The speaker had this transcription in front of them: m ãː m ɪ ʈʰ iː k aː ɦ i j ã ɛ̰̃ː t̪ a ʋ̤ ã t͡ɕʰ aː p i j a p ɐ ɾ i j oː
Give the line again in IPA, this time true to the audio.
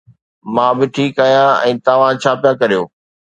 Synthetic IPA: m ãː b ɪ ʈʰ iː k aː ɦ i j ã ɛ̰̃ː t̪ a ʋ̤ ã t͡ɕʰ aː p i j a k ɐ ɾ i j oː